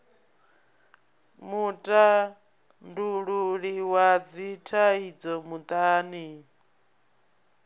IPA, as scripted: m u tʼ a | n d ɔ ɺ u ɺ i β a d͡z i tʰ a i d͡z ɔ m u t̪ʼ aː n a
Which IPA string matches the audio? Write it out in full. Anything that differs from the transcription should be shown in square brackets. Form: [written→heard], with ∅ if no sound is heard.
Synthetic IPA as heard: m u tʼ a | n d [ɔ→u] ɺ u ɺ i [β→w] a d͡z i tʰ a i d͡z ɔ m u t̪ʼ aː n [a→i]